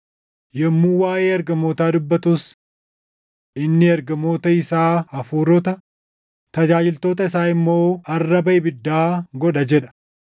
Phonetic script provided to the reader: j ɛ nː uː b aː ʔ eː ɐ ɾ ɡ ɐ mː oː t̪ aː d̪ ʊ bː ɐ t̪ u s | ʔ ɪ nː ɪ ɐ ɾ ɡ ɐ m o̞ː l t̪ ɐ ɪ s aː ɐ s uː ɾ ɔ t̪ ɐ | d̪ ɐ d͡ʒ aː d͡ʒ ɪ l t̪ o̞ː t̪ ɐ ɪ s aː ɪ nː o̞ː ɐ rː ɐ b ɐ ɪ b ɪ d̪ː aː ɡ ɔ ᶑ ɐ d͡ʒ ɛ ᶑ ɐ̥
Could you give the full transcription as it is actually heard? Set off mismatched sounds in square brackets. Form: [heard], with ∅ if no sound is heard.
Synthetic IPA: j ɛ [mː] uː [w] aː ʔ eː ɐ ɾ ɡ ɐ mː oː t̪ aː d̪ ʊ bː ɐ t̪ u s | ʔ ɪ nː ɪ ɐ ɾ ɡ ɐ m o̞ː [∅] t̪ ɐ ɪ s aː ɐ [f] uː ɾ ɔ t̪ ɐ | [t̪] ɐ d͡ʒ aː d͡ʒ ɪ l t̪ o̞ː t̪ ɐ ɪ s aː ɪ [mː] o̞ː ɐ rː ɐ b ɐ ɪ b ɪ d̪ː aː ɡ ɔ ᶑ ɐ d͡ʒ ɛ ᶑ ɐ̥

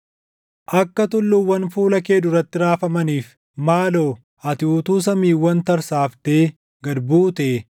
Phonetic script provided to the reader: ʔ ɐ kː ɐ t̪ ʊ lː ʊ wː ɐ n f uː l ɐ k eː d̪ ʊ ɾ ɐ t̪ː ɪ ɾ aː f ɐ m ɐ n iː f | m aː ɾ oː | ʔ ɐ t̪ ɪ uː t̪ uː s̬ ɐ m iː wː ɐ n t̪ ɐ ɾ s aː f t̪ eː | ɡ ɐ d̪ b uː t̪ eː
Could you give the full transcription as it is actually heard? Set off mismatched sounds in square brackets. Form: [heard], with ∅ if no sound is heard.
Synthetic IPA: ʔ ɐ kː ɐ t̪ ʊ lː ʊ wː ɐ n f uː l ɐ k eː d̪ ʊ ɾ ɐ t̪ː ɪ ɾ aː f ɐ m ɐ n iː f | m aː [l] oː | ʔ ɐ t̪ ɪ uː t̪ uː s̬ ɐ m iː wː ɐ n t̪ ɐ ɾ s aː f t̪ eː | ɡ ɐ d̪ b uː t̪ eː

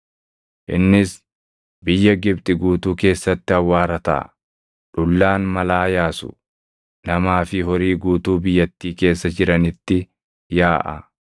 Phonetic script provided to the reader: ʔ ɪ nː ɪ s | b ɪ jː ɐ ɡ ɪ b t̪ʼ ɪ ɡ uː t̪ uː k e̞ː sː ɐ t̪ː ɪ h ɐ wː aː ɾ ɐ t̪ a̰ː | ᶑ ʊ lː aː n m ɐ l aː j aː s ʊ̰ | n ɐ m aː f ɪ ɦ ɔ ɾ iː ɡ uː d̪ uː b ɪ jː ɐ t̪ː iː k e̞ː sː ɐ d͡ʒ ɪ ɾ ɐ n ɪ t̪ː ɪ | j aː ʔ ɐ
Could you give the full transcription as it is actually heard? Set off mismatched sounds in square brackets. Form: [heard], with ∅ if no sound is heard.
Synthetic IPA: ʔ ɪ nː ɪ s | b ɪ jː ɐ ɡ ɪ b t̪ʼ ɪ ɡ uː t̪ uː k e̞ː sː ɐ t̪ː ɪ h ɐ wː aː ɾ ɐ t̪ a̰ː | ᶑ ʊ lː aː n m ɐ l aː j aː s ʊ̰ | n ɐ m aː f ɪ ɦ ɔ ɾ iː ɡ uː [t̪] uː b ɪ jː ɐ t̪ː iː k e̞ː sː ɐ d͡ʒ ɪ ɾ ɐ n ɪ t̪ː ɪ | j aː ʔ ɐ

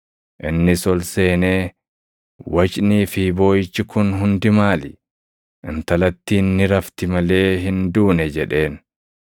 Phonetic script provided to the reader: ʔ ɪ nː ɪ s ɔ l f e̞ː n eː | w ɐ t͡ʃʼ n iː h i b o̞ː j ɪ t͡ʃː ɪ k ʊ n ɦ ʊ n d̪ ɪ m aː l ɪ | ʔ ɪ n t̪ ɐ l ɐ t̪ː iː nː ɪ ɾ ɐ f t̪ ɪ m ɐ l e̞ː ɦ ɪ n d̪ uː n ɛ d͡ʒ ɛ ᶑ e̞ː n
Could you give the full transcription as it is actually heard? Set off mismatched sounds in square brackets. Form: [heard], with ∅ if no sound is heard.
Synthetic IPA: ʔ ɪ nː ɪ s ɔ l [s] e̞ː n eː | w ɐ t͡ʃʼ n iː [f] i b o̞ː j ɪ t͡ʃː ɪ k ʊ n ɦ ʊ n d̪ ɪ m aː l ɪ | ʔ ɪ n t̪ ɐ l ɐ t̪ː iː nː ɪ ɾ ɐ f t̪ ɪ m ɐ l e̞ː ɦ ɪ n d̪ uː n ɛ d͡ʒ ɛ ᶑ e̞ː n

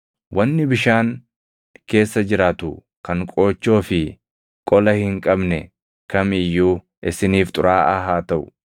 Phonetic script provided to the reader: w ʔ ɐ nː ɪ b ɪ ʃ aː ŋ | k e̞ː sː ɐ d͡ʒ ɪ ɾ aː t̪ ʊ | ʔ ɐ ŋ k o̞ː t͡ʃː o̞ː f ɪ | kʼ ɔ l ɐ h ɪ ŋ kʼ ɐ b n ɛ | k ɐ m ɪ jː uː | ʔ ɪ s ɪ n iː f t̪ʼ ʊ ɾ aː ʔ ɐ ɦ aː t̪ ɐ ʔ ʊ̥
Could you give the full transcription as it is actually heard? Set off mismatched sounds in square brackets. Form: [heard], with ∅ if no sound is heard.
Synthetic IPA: w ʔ ɐ nː ɪ b ɪ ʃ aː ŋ | k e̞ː sː ɐ d͡ʒ ɪ ɾ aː t̪ ʊ | [k] ɐ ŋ [kʼ] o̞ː t͡ʃː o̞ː f ɪ | kʼ ɔ l ɐ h ɪ ŋ kʼ ɐ b n ɛ | k ɐ m ɪ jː uː | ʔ ɪ s ɪ n iː f t̪ʼ ʊ ɾ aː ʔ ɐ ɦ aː t̪ ɐ ʔ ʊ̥

